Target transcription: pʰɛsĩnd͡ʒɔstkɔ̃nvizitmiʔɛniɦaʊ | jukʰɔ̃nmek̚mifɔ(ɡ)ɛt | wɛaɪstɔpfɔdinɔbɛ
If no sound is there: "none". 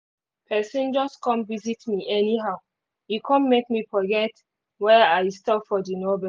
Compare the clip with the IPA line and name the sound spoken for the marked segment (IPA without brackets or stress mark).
ɡ